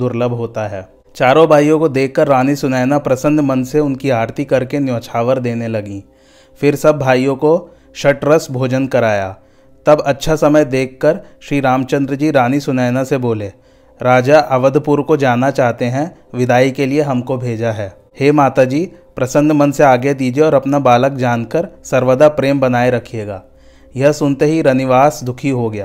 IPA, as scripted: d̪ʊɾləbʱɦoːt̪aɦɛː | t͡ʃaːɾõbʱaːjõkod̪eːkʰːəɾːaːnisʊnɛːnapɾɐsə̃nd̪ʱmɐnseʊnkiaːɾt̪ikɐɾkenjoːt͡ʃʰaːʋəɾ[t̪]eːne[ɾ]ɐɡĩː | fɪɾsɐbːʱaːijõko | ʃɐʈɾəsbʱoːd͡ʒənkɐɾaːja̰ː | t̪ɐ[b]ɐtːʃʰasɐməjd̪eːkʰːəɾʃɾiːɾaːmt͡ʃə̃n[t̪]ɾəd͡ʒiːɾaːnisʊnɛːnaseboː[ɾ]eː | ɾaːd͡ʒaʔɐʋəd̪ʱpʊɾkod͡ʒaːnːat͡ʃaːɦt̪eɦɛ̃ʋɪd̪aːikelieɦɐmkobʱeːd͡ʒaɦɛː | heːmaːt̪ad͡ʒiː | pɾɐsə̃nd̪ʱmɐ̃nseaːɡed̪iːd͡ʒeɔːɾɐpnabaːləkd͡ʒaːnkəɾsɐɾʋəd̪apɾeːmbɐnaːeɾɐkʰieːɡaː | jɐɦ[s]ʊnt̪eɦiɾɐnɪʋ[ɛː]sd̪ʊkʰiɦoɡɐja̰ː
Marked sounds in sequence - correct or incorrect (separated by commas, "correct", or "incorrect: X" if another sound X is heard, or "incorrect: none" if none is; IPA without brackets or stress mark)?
incorrect: d̪, incorrect: l, correct, incorrect: d̪, incorrect: l, correct, incorrect: aː